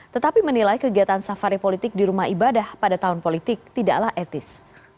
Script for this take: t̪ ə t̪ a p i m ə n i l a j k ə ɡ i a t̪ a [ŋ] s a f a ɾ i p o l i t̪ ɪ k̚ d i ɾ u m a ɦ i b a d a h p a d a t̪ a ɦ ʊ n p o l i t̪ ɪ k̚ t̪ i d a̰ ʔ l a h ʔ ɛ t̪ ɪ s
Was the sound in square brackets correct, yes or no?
no